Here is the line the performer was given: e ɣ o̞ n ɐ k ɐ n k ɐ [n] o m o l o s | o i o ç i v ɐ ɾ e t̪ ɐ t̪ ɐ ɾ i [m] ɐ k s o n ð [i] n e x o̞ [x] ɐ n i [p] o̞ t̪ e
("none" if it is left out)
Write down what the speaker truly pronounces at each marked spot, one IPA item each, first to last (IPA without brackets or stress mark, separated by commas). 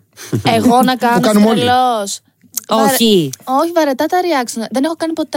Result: n, none, e, k, p